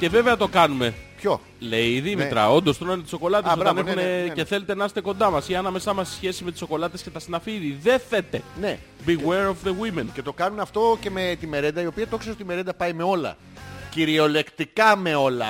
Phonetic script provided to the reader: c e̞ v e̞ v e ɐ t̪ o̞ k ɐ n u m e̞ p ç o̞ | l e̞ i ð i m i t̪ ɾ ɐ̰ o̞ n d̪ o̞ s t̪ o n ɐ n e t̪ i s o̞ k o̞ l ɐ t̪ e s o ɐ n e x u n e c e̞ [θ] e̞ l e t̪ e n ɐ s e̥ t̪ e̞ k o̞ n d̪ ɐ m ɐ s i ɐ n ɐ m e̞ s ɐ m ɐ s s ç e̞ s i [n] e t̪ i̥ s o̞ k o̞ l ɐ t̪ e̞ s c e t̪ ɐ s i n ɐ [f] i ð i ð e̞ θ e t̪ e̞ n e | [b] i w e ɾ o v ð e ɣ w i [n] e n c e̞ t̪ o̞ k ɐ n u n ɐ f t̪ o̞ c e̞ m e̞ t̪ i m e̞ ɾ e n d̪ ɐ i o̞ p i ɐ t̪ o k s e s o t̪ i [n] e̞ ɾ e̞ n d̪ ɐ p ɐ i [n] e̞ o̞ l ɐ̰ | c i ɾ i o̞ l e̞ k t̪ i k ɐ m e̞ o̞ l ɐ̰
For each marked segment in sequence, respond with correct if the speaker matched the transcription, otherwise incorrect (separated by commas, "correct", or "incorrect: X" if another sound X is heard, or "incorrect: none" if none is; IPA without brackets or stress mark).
correct, incorrect: m, correct, correct, incorrect: m, incorrect: m, incorrect: m